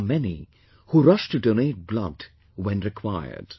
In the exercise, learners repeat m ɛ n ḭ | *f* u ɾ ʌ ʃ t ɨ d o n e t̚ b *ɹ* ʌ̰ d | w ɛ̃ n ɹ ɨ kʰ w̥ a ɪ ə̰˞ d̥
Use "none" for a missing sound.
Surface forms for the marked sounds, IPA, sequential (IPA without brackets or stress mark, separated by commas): h, l